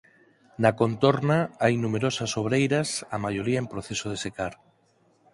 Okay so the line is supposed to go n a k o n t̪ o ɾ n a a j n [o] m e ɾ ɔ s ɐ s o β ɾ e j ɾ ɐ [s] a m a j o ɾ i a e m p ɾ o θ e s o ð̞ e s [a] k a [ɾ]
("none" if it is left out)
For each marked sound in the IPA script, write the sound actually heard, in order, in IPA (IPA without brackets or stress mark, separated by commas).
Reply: u, s, e, ɾ